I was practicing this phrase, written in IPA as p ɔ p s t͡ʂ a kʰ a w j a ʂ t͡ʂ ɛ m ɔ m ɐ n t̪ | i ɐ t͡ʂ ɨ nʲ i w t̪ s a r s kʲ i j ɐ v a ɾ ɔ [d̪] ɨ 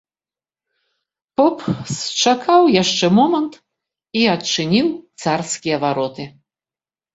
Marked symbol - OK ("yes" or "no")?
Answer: no